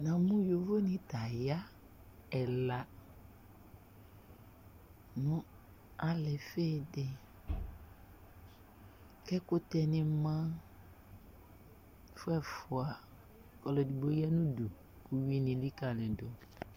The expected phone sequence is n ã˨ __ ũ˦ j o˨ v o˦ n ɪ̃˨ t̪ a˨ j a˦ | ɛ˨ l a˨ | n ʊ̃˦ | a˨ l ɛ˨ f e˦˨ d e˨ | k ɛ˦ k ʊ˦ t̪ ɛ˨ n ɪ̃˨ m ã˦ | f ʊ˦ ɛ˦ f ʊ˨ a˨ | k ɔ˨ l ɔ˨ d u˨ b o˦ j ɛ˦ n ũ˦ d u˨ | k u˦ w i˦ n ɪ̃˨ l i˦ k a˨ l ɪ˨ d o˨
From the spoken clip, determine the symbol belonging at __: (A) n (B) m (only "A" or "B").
B